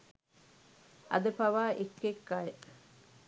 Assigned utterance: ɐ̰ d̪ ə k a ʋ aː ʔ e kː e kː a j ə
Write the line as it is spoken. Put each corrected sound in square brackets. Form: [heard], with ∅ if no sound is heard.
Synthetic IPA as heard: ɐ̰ d̪ ə [p] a ʋ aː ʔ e kː e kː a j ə